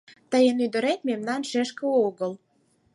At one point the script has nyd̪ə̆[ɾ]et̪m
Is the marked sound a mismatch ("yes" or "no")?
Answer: no